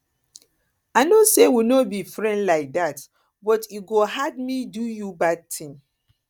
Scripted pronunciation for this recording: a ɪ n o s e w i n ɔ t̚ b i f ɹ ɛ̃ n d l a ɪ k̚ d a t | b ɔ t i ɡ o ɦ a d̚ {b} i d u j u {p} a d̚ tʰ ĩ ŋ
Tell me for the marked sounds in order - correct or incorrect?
incorrect: m, incorrect: b

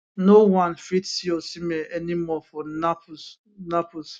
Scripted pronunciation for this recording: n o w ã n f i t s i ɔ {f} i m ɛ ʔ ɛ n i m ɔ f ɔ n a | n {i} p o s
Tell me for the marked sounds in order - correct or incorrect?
incorrect: s, incorrect: a

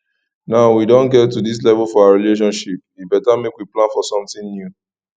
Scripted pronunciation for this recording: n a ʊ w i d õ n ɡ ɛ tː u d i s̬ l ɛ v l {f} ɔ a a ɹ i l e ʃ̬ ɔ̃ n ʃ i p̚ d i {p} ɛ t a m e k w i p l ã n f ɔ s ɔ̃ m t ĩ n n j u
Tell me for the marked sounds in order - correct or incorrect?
correct, incorrect: b

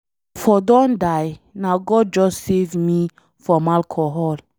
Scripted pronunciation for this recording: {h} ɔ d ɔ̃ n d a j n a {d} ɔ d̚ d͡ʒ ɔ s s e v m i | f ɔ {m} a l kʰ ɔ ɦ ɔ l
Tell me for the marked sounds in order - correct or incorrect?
incorrect: f, incorrect: ɡ, correct

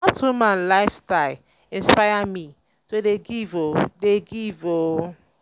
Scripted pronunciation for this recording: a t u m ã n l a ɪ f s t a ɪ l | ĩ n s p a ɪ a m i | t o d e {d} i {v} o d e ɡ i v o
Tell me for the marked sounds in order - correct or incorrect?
incorrect: ɡ, correct

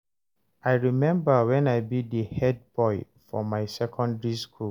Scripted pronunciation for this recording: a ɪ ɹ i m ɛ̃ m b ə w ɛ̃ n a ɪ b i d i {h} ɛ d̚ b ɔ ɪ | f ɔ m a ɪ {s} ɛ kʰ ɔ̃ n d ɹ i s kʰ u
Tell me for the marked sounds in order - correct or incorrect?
correct, correct

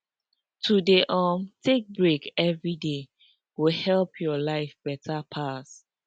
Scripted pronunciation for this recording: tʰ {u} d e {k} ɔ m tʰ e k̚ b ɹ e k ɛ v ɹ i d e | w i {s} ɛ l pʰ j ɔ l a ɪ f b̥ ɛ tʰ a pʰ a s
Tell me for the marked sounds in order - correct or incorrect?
correct, incorrect: ʔ, incorrect: h

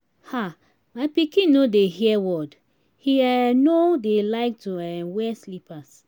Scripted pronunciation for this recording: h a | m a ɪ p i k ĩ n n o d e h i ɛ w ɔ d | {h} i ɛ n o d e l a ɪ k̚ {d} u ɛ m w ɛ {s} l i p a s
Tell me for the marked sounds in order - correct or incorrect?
correct, incorrect: t, correct

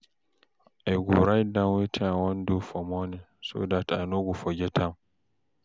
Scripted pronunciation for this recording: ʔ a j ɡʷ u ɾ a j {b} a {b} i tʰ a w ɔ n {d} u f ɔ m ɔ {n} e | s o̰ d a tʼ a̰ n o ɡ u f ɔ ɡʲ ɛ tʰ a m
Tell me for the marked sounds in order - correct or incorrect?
incorrect: d, incorrect: w, correct, correct

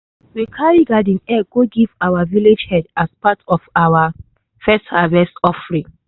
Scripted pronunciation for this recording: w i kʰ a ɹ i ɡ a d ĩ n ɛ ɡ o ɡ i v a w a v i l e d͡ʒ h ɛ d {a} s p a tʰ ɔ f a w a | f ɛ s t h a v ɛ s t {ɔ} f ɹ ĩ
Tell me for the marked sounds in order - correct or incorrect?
correct, correct

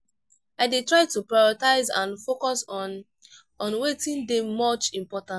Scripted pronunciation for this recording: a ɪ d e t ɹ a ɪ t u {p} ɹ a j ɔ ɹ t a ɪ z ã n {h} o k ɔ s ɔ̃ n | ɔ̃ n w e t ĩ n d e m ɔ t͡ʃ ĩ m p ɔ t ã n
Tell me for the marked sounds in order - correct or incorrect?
correct, incorrect: f

